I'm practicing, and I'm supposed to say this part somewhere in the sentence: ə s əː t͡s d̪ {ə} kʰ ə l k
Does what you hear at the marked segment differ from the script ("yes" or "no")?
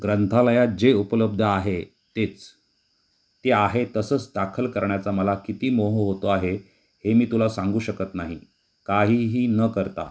yes